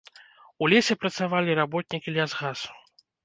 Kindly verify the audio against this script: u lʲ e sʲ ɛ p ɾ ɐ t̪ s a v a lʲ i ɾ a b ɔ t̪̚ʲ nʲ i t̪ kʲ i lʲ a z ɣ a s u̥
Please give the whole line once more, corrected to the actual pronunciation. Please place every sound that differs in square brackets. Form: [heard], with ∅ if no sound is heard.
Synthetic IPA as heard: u lʲ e sʲ ɛ p ɾ ɐ t̪ s a v a lʲ i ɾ a b ɔ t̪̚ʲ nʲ i [∅] kʲ i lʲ a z ɣ a s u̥